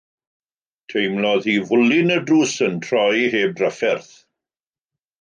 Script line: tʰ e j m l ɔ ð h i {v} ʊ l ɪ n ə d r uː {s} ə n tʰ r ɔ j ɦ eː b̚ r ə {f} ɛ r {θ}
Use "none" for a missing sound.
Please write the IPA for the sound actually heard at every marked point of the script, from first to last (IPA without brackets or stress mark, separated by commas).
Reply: v, s, f, θ